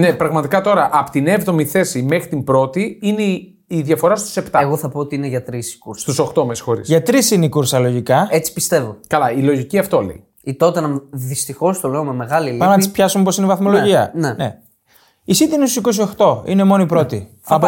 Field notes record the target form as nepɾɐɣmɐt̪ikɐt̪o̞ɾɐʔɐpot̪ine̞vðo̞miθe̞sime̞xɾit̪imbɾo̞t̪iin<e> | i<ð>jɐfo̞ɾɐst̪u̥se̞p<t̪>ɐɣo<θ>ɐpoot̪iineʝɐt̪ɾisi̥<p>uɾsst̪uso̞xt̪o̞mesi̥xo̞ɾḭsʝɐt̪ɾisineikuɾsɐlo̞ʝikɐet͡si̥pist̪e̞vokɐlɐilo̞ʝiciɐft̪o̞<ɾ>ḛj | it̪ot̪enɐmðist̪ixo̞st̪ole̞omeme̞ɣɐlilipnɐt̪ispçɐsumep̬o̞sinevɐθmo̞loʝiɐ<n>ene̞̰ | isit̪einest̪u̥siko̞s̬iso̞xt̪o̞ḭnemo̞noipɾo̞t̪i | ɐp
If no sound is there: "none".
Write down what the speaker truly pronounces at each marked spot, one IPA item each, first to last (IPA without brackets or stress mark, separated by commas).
e, ð, t̪, θ, k, l, n